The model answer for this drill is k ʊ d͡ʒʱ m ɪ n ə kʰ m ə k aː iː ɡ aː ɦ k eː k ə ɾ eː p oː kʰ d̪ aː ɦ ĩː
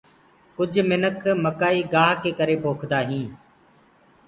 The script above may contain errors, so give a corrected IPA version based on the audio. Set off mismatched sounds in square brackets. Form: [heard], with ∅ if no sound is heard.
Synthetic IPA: k ʊ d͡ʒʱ m ɪ n ə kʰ m ə k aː iː ɡ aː ɦ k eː k ə ɾ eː p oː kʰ d̪ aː ɦ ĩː